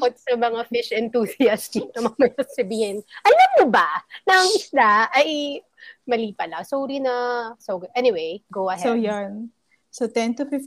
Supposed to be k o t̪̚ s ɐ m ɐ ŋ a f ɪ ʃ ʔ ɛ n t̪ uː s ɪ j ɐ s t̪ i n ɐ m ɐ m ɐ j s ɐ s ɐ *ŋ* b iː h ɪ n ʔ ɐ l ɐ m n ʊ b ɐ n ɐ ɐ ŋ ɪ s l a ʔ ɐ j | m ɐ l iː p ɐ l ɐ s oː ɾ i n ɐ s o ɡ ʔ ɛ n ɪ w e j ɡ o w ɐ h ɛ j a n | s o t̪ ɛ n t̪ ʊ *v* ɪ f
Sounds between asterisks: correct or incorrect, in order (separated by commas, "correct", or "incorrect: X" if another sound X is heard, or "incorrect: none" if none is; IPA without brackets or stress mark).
incorrect: none, incorrect: f